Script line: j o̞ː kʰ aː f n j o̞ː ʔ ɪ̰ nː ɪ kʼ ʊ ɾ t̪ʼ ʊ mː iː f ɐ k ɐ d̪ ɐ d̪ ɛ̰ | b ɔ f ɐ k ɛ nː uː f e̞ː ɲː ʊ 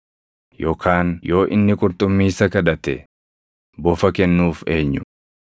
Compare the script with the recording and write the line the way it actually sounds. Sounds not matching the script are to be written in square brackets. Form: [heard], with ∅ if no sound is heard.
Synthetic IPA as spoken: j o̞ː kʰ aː [∅] n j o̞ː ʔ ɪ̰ nː ɪ kʼ ʊ ɾ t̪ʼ ʊ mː iː [s] ɐ k ɐ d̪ ɐ [t̪] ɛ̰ | b ɔ f ɐ k ɛ nː uː f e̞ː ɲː ʊ

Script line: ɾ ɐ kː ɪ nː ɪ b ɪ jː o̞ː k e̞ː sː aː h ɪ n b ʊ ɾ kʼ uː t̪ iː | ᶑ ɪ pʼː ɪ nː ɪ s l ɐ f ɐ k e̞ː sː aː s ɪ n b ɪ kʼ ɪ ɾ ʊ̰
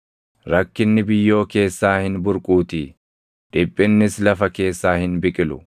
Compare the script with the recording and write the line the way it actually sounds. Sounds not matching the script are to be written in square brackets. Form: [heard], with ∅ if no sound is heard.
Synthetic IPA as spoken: ɾ ɐ kː ɪ nː ɪ b ɪ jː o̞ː k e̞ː sː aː h ɪ n b ʊ ɾ kʼ uː t̪ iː | ᶑ ɪ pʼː ɪ nː ɪ s l ɐ f ɐ k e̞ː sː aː [h] ɪ n b ɪ kʼ ɪ [l] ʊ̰

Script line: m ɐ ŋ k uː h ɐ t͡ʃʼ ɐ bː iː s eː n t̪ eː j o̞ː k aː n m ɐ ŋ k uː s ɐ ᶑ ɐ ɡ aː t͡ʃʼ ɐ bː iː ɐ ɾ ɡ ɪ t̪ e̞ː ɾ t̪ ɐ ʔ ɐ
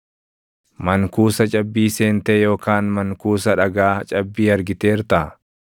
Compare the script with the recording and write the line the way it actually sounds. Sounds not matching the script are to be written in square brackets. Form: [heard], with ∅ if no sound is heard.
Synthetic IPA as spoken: m ɐ ŋ k uː [s] ɐ t͡ʃʼ ɐ bː iː s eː n t̪ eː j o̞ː k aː n m ɐ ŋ k uː s ɐ ᶑ ɐ ɡ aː t͡ʃʼ ɐ bː iː ɐ ɾ ɡ ɪ t̪ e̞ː ɾ t̪ ɐ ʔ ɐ

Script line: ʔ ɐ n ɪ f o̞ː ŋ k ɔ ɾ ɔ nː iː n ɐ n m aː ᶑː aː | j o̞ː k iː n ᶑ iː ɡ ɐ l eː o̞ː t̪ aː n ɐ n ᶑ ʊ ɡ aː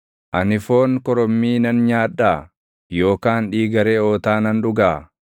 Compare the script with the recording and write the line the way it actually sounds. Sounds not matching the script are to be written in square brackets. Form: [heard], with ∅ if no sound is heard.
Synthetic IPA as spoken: ʔ ɐ n ɪ f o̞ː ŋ k ɔ ɾ ɔ [mː] iː n ɐ n [ɲ] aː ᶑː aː | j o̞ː k [aː] n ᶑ iː ɡ ɐ [ɾ] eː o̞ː t̪ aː n ɐ n ᶑ ʊ ɡ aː

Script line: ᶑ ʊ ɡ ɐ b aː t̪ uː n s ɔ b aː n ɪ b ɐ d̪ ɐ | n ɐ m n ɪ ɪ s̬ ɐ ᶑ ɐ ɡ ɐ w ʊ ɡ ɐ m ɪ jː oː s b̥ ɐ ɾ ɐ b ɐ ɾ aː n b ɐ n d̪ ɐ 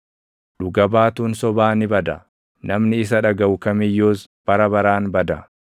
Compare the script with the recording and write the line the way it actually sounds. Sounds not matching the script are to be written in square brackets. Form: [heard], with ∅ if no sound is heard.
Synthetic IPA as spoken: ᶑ ʊ ɡ ɐ b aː t̪ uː n s ɔ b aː n ɪ b ɐ d̪ ɐ | n ɐ m n ɪ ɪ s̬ ɐ ᶑ ɐ ɡ ɐ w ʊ [k] ɐ m ɪ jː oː s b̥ ɐ ɾ ɐ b ɐ ɾ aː n b ɐ [∅] d̪ ɐ

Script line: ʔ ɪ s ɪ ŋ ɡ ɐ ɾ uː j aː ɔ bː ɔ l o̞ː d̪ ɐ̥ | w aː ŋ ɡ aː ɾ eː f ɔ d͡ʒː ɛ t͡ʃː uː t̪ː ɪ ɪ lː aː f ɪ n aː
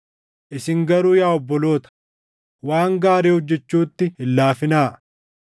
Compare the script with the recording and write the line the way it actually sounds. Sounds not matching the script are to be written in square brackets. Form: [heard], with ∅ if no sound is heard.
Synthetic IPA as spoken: ʔ ɪ s ɪ ŋ ɡ ɐ ɾ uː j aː ɔ bː ɔ l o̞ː [t̪] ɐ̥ | w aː ŋ ɡ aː ɾ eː [h] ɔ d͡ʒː ɛ t͡ʃː uː t̪ː ɪ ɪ lː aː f ɪ n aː

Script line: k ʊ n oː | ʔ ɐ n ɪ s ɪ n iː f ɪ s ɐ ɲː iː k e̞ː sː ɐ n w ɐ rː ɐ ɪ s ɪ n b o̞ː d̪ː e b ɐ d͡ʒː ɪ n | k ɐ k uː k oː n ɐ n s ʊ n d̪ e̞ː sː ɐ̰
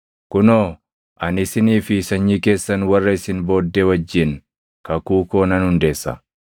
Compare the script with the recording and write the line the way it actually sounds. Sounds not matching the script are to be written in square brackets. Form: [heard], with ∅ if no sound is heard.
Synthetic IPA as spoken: k ʊ n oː | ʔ ɐ n ɪ s ɪ n iː f ɪ s ɐ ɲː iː k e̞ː sː ɐ n w ɐ rː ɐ ɪ s ɪ n b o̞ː d̪ː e [w] ɐ d͡ʒː ɪ n | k ɐ k uː k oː n ɐ n [h] ʊ n d̪ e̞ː sː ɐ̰

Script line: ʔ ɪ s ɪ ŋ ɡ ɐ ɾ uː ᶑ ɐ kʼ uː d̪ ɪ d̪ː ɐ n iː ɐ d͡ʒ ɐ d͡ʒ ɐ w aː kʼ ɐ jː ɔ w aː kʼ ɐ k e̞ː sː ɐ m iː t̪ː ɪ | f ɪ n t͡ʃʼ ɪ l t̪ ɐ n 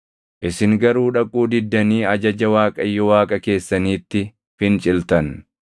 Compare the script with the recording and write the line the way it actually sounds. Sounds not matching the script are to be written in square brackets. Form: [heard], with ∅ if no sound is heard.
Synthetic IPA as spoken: ʔ ɪ s ɪ ŋ ɡ ɐ ɾ uː ᶑ ɐ kʼ uː d̪ ɪ d̪ː ɐ n iː ɐ d͡ʒ ɐ d͡ʒ ɐ w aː kʼ ɐ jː ɔ w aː kʼ ɐ k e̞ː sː ɐ [n] iː t̪ː ɪ | f ɪ n t͡ʃʼ ɪ l t̪ ɐ n

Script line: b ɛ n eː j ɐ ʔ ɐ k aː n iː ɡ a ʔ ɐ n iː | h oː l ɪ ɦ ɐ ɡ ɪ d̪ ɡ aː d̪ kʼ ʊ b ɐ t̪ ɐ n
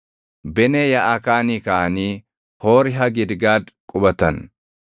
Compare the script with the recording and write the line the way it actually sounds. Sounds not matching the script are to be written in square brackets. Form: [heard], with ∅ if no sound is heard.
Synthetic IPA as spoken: b ɛ n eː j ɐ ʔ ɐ k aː n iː [k] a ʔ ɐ n iː | h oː [ɾ] ɪ ɦ ɐ ɡ ɪ d̪ ɡ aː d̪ kʼ ʊ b ɐ t̪ ɐ n

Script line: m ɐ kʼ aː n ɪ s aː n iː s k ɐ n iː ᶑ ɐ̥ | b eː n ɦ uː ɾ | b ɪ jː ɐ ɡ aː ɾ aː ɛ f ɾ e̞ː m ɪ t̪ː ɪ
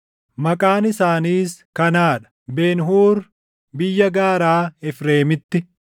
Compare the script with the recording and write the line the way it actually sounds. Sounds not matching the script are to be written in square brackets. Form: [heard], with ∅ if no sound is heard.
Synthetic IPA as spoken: m ɐ kʼ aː n ɪ s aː n iː s k ɐ n [aː] ᶑ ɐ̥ | b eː n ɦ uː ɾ | b ɪ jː ɐ ɡ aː ɾ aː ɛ f ɾ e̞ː m ɪ t̪ː ɪ

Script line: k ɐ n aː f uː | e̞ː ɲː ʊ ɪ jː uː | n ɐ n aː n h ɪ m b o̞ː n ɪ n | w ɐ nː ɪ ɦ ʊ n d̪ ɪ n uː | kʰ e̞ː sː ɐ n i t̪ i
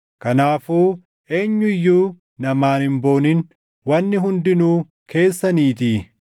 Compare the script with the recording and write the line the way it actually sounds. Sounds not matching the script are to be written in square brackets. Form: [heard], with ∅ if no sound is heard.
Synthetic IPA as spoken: k ɐ n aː f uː | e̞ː ɲː ʊ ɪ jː uː | n ɐ [m] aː n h ɪ m b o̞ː n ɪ n | w ɐ nː ɪ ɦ ʊ n d̪ ɪ n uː | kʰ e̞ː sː ɐ n [iː] t̪ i

